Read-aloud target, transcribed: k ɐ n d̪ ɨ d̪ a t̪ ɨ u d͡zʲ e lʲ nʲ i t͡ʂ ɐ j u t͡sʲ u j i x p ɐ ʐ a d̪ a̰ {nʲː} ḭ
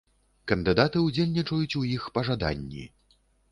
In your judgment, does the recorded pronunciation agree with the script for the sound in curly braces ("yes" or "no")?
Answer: yes